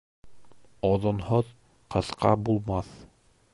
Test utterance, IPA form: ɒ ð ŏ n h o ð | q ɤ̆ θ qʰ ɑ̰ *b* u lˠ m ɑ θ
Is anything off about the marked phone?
no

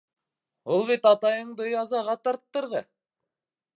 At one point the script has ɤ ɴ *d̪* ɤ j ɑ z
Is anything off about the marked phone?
no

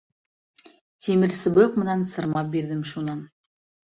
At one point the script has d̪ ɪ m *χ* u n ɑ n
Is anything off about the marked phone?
yes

